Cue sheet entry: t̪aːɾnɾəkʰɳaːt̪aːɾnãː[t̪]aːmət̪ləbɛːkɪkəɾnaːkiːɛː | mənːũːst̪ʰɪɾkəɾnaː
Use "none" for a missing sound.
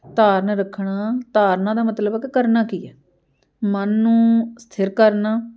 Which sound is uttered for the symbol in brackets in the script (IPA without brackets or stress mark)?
d̪